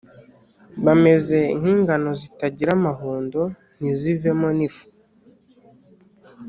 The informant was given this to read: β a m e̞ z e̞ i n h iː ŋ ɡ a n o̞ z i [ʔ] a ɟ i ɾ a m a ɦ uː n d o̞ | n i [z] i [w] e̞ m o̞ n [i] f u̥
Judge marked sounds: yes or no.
no, yes, no, yes

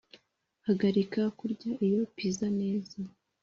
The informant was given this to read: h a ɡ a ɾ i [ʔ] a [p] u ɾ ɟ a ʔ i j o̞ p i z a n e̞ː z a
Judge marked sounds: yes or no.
no, no

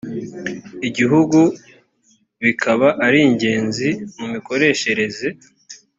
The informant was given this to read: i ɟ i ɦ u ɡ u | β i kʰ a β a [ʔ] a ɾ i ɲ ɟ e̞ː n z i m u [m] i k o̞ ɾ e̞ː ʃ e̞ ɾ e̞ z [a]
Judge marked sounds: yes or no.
yes, yes, no

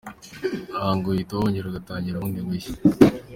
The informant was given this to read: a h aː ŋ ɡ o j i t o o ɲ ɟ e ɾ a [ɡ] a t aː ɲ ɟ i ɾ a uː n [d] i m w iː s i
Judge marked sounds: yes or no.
yes, yes

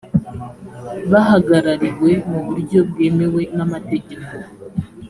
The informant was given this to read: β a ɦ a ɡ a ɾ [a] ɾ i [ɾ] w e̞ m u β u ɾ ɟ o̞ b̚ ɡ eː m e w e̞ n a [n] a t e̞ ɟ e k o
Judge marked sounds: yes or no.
yes, yes, no

